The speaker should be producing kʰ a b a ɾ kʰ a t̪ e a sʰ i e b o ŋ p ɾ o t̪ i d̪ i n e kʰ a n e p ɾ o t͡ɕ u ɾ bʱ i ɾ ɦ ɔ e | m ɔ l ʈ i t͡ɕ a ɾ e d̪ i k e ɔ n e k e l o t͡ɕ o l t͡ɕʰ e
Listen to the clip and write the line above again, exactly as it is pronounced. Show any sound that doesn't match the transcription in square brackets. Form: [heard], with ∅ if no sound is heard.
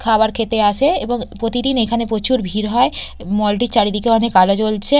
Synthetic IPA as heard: kʰ a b a ɾ kʰ [e] t̪ e a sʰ [e] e b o ŋ p ɾ o t̪ i d̪ i n e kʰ a n e p ɾ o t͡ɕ u ɾ bʱ i ɾ ɦ ɔ e | m ɔ l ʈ i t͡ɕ a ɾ [i] d̪ i k e ɔ n e k [a] l o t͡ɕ o l t͡ɕʰ e

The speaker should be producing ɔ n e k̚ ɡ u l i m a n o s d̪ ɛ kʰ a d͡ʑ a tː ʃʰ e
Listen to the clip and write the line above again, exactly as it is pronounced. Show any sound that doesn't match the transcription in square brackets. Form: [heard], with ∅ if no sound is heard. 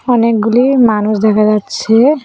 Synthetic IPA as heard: ɔ n e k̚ ɡ u l i m a n [u] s d̪ ɛ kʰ a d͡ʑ a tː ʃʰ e

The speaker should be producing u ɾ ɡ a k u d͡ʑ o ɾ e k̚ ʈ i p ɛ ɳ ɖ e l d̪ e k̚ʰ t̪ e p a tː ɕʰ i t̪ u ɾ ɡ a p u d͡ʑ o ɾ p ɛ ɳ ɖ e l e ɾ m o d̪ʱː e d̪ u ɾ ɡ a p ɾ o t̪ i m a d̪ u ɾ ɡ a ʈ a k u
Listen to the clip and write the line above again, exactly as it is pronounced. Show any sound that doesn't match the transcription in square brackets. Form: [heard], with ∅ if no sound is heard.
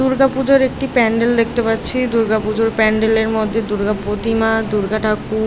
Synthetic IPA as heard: u ɾ ɡ a [p] u d͡ʑ o ɾ e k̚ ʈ i p ɛ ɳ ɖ e l d̪ e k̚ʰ t̪ e p a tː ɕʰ i [d̪] u ɾ ɡ a p u d͡ʑ o ɾ p ɛ ɳ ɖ e l e ɾ m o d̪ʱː e d̪ u ɾ ɡ a p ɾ o t̪ i m a d̪ u ɾ ɡ a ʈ a k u

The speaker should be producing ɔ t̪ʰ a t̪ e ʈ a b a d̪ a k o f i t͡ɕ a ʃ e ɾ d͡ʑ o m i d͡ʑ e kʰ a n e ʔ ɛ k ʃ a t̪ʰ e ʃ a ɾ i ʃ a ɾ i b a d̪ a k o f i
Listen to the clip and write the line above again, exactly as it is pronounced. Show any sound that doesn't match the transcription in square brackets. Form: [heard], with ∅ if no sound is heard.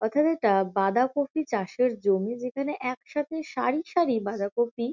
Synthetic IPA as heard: ɔ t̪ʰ a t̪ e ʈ a b a d̪ a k o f i t͡ɕ a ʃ e ɾ d͡ʑ o m i d͡ʑ e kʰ a n e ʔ ɛ k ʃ a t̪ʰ e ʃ a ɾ i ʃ a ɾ i b a d̪ a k o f i

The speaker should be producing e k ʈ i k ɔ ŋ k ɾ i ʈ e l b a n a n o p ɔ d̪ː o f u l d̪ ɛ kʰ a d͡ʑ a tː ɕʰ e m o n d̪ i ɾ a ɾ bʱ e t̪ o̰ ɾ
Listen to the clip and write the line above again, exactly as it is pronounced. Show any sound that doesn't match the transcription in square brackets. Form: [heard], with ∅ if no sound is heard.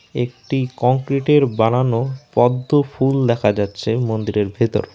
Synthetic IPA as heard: e k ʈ i k ɔ ŋ k ɾ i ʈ e [ɾ] b a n a n o p ɔ d̪ː o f u l d̪ ɛ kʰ a d͡ʑ a tː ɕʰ e m o n d̪ i ɾ [e] ɾ bʱ e t̪ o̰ ɾ

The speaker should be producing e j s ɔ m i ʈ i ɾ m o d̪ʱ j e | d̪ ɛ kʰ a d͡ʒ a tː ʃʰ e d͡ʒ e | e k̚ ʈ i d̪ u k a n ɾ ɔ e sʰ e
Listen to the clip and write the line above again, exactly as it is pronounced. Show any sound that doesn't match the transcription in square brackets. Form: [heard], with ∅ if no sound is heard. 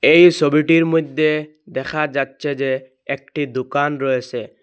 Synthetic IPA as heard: e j s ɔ [b] i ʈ i ɾ m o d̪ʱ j e | d̪ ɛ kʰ a d͡ʒ a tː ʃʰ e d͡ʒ e | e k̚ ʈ i d̪ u k a n ɾ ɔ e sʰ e

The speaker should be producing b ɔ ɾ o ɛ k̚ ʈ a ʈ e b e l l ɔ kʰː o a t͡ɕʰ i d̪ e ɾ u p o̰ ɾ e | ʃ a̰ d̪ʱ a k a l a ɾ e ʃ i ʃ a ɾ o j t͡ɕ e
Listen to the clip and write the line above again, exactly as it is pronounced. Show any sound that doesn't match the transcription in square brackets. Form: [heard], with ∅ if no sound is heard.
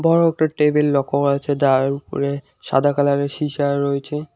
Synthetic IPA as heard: b ɔ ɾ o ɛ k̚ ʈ a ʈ e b e l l ɔ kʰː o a t͡ɕʰ [e] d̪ [a] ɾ u p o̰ ɾ e | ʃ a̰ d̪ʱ a k a l a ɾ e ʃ i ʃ a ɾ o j [t͡ɕʰ] e

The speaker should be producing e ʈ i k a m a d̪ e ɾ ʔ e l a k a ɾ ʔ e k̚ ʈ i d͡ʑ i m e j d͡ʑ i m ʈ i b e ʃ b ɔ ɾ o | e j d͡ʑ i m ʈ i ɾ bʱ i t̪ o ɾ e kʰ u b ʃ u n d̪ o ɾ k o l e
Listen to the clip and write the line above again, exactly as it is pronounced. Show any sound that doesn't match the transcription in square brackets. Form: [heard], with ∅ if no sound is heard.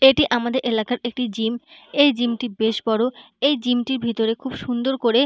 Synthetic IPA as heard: e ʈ i [ʔ] a m a d̪ e ɾ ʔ e l a k a ɾ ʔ e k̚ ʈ i d͡ʑ i m e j d͡ʑ i m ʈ i b e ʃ b ɔ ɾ o | e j d͡ʑ i m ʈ i ɾ bʱ i t̪ o ɾ e kʰ u b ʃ u n d̪ o ɾ k o [ɾ] e

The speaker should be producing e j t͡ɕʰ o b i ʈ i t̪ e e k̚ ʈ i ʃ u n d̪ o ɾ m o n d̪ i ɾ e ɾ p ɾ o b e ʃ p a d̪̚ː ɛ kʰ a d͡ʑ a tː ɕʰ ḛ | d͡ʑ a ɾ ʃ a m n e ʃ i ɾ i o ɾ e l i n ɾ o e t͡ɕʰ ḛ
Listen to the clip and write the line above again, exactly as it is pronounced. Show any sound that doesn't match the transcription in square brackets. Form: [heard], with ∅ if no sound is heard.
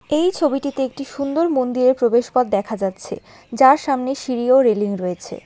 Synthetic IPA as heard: e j t͡ɕʰ o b i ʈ i t̪ e e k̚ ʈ i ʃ u n d̪ o ɾ m o n d̪ i ɾ e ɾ p ɾ o b e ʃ p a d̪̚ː ɛ kʰ a d͡ʑ a tː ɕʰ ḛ | d͡ʑ a ɾ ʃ a m n e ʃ i ɾ i o ɾ e l i [ŋ] ɾ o e t͡ɕʰ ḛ

